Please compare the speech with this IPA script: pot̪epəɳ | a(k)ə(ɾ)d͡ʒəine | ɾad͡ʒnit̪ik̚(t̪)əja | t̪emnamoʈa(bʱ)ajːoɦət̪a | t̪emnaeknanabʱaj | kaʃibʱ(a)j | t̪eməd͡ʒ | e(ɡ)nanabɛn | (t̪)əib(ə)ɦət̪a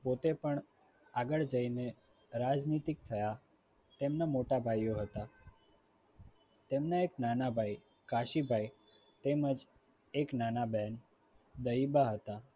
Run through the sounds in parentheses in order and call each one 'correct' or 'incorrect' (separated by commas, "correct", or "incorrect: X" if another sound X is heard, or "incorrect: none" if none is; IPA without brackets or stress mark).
incorrect: ɡ, incorrect: ɭ, incorrect: t̪ʰ, correct, correct, incorrect: k, incorrect: d̪, incorrect: a